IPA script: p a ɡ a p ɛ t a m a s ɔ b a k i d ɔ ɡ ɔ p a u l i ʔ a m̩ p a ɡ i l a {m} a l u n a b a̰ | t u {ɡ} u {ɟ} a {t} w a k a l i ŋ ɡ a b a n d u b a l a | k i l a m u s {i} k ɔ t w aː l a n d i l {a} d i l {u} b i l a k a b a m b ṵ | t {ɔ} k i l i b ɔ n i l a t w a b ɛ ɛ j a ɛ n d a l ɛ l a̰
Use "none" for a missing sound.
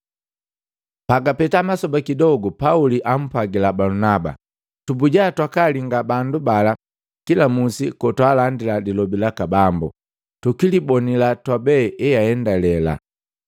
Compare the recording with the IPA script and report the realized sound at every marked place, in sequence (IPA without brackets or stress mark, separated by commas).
b, b, ɟ, t, i, a, ɔ, u